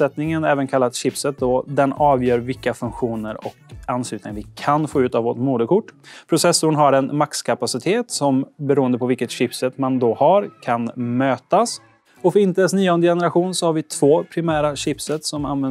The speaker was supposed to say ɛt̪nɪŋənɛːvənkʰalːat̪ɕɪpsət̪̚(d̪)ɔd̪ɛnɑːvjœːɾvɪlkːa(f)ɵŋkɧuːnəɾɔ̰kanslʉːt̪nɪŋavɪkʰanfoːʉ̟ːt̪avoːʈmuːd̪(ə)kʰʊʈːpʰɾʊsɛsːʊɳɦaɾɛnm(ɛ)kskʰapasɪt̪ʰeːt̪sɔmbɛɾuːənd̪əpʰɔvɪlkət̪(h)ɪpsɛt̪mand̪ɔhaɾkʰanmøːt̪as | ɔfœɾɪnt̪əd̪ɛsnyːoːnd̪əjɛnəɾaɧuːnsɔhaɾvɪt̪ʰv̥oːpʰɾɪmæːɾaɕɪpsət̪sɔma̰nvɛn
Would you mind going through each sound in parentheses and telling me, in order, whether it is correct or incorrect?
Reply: correct, correct, correct, incorrect, incorrect

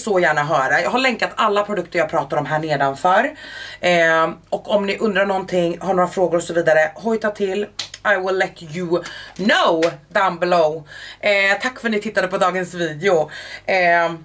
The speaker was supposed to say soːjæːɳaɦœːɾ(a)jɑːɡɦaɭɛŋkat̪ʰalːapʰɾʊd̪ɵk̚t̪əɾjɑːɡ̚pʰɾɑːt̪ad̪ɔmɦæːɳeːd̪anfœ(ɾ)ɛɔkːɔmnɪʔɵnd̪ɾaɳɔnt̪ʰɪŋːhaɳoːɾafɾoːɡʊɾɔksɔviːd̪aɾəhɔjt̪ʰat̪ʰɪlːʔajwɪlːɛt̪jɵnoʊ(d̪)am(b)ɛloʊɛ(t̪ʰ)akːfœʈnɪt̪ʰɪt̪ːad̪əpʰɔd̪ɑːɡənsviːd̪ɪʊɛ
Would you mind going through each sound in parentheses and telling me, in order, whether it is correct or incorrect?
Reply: correct, correct, correct, correct, correct

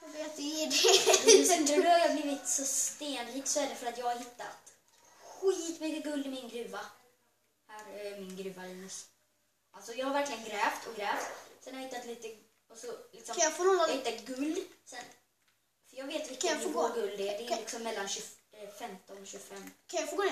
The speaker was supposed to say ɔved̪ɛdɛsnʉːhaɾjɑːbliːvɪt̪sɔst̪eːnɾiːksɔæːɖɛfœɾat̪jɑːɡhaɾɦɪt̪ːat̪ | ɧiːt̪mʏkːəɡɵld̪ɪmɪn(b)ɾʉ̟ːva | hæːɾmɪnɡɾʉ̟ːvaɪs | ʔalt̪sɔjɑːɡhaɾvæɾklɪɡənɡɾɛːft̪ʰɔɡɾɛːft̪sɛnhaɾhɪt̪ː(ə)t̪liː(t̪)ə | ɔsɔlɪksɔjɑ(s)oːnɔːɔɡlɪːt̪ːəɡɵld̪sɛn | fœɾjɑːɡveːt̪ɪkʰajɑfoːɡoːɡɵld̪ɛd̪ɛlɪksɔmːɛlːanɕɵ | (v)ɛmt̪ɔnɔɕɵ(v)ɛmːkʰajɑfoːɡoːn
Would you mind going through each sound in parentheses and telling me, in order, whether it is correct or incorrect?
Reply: incorrect, incorrect, correct, incorrect, incorrect, incorrect

